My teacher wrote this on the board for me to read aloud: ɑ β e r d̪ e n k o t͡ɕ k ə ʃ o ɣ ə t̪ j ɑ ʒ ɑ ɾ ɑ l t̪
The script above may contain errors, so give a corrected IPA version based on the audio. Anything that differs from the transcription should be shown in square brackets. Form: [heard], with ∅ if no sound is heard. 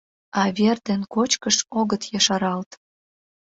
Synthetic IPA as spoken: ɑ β e r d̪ e n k o t͡ɕ k ə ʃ o ɣ ə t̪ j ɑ [ʃ] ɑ ɾ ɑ l t̪